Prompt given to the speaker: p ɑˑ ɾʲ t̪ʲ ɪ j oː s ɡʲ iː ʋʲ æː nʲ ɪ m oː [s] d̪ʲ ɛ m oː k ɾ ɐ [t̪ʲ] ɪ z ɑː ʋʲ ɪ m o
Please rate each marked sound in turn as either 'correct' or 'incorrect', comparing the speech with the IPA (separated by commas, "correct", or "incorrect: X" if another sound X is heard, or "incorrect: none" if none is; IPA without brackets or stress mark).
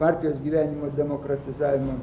incorrect: none, correct